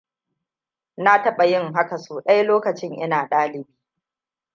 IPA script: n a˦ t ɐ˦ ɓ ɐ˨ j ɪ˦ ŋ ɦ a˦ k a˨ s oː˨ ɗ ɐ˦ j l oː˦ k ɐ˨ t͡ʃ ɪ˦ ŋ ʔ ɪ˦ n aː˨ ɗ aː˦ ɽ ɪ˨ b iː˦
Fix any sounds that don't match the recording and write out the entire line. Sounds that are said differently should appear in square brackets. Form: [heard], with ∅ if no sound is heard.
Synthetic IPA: n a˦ t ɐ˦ ɓ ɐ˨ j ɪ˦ ŋ ɦ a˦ k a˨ s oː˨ ɗ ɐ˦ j l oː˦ k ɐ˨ t͡ʃ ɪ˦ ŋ ʔ ɪ˦ n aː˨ ɗ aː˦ [l] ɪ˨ b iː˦